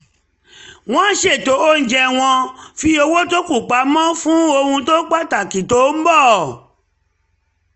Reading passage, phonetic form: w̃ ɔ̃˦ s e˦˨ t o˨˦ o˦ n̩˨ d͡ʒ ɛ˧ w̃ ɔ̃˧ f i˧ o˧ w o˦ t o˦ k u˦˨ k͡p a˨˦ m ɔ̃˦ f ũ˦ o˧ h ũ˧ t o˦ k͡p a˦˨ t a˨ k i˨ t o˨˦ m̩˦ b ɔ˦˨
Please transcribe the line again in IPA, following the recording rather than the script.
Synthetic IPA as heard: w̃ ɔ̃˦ ʃ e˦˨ t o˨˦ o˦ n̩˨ d͡ʒ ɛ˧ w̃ ɔ̃˧ f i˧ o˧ w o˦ t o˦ k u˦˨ k͡p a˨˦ m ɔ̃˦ f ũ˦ o˧ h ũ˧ t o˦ k͡p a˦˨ t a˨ k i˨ t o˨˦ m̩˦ b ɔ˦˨